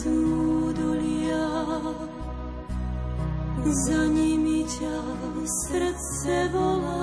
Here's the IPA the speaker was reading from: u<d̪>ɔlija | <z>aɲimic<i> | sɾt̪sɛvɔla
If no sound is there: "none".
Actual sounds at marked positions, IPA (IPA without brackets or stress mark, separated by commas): d̪, z, a